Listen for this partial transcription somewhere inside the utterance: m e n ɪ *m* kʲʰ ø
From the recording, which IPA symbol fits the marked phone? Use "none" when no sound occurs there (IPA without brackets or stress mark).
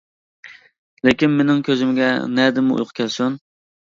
ŋ